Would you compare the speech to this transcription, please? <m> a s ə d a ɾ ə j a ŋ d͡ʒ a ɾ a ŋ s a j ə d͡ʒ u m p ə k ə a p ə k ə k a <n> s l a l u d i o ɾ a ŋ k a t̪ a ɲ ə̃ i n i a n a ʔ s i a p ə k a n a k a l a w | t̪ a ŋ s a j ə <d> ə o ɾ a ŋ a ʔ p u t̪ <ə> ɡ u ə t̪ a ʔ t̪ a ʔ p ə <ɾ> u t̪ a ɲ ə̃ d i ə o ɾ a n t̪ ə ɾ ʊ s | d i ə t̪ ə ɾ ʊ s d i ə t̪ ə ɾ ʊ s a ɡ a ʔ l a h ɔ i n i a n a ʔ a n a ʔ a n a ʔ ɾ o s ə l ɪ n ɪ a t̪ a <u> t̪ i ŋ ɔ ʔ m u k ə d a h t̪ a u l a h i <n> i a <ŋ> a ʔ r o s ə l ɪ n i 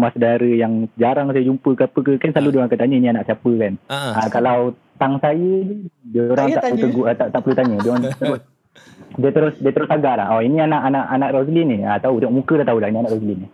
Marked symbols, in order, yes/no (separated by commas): yes, yes, yes, yes, no, yes, yes, no